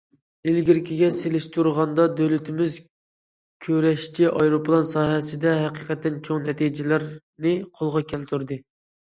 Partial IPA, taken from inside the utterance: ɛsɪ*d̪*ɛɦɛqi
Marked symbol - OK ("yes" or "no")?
yes